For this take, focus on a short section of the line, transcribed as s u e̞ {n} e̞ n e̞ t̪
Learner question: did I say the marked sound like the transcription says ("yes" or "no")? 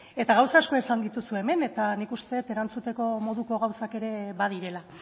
no